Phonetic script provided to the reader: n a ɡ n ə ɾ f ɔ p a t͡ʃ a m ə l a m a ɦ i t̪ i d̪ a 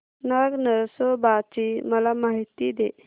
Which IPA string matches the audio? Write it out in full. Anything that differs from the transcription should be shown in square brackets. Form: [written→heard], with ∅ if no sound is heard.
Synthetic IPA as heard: n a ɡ n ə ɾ [f→s] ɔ [p→b] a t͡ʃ [a→i] m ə l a m a ɦ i t̪ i d̪ [a→e]